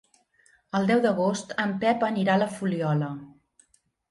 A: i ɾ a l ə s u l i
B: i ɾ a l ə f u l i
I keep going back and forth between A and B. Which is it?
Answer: B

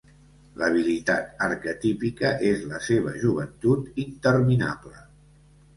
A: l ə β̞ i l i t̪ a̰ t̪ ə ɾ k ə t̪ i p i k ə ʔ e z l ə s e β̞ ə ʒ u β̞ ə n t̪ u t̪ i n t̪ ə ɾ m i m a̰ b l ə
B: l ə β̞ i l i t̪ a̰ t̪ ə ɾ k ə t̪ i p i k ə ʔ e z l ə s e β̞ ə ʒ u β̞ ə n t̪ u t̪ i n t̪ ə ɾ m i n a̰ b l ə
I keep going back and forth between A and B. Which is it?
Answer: B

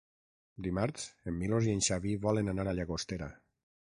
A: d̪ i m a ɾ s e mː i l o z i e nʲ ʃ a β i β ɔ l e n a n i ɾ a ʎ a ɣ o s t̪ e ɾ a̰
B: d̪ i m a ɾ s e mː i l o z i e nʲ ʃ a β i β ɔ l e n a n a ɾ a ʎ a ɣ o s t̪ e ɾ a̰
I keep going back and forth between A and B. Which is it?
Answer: B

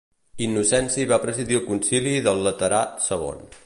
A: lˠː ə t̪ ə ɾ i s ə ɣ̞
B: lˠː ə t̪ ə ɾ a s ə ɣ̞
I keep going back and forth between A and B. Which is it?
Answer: B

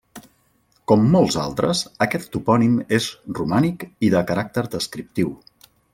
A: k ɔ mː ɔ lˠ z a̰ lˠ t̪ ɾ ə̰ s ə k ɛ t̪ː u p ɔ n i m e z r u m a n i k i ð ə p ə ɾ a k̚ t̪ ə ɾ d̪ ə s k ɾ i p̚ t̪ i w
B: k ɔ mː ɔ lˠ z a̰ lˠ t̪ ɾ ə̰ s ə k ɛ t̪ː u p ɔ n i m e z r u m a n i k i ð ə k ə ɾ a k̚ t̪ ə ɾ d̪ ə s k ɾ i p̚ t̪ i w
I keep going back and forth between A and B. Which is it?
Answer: B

